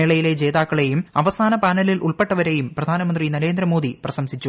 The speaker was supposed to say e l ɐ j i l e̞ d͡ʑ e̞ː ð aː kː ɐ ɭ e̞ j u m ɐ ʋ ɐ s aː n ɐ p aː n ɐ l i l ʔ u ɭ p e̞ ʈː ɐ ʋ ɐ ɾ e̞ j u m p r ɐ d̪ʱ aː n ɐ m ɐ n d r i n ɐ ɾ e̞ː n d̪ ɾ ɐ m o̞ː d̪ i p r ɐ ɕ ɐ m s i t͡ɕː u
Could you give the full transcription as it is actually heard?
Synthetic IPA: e ɭ ɐ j i l e̞ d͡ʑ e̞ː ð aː kː ɐ ɭ e̞ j u m ɐ ʋ ɐ s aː n ɐ p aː n ɐ l i l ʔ u ɭ p e̞ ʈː ɐ ʋ ɐ ɾ e̞ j u m p r ɐ d̪ʱ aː n ɐ m ɐ n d r i n ɐ ɾ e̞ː n d̪ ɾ ɐ m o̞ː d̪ i p r ɐ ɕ ɐ m s i t͡ɕː u